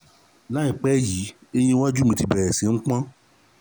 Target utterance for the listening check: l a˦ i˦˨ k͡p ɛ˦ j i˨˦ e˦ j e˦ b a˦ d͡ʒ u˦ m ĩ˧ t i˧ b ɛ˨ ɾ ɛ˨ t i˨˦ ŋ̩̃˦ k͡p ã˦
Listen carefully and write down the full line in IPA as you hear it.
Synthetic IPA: l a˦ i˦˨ k͡p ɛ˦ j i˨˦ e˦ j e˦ w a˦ d͡ʒ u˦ m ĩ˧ t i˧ b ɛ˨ ɾ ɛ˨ s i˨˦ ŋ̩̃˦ k͡p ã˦